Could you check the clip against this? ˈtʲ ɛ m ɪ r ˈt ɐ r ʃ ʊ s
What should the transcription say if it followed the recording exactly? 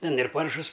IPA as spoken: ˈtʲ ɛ n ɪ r ˈp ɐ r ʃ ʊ s